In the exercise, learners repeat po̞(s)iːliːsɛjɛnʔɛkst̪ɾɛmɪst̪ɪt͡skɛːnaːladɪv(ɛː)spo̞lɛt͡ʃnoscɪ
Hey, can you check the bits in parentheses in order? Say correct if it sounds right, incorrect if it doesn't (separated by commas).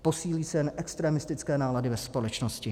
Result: correct, incorrect